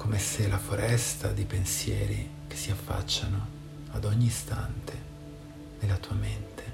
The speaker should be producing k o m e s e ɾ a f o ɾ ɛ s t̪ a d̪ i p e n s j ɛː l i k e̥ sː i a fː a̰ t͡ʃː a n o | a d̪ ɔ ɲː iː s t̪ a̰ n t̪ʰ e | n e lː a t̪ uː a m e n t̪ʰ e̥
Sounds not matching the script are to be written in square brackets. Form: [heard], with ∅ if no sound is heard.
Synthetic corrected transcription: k o m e s e [l] a f o ɾ ɛ s t̪ a d̪ i p e n s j ɛː [ɾ] i k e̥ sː i a fː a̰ t͡ʃː a n o | a d̪ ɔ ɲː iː s t̪ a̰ n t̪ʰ e | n e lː a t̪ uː a m e n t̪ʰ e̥